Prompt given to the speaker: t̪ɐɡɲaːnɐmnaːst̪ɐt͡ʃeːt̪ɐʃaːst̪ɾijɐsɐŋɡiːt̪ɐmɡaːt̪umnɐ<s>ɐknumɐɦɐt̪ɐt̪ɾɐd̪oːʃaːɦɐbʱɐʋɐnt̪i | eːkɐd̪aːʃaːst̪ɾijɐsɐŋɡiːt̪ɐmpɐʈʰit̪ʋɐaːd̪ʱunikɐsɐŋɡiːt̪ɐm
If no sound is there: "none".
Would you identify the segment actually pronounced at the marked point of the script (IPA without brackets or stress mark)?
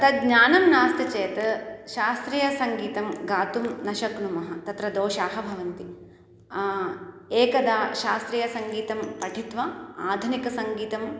ʃ